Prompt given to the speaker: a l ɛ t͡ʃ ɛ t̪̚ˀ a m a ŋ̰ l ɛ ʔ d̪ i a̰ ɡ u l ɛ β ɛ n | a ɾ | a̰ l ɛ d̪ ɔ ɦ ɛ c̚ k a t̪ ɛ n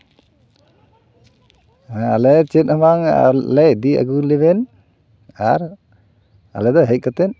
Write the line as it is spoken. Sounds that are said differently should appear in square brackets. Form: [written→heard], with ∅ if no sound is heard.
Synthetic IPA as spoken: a l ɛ t͡ʃ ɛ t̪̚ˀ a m a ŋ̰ l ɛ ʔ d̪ i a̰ ɡ u l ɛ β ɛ n | a ɾ | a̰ l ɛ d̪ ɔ ɦ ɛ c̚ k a t̪ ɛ n